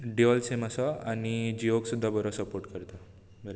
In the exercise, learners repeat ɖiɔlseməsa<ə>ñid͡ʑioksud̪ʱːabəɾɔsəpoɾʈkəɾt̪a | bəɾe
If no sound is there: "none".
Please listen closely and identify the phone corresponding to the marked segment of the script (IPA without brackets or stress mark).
a